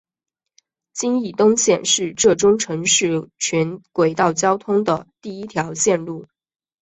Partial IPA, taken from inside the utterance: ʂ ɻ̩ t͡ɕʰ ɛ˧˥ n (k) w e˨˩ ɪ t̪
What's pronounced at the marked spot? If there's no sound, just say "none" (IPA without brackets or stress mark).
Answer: k